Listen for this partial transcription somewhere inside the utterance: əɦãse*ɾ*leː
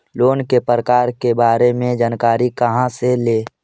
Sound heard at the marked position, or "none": none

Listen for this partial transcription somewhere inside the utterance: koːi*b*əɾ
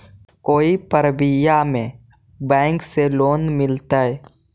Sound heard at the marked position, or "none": p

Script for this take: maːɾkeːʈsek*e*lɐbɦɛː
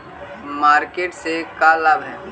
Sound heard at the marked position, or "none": a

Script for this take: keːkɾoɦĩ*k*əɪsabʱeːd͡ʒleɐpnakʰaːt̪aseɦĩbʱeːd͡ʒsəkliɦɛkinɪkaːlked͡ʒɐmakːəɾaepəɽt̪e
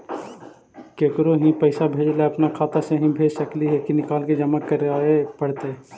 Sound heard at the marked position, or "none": p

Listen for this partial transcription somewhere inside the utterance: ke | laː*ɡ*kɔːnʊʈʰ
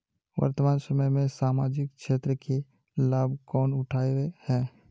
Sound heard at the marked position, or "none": b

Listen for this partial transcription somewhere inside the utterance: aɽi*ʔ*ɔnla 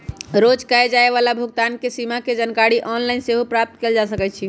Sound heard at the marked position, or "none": ʔ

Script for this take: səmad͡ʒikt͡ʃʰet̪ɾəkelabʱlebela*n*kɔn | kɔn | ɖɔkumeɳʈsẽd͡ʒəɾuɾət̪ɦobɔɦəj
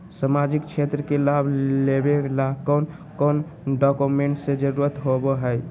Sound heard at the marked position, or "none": none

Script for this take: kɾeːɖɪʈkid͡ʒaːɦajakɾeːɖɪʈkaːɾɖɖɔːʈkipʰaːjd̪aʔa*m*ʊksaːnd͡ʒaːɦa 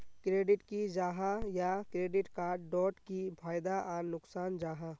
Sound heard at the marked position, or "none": n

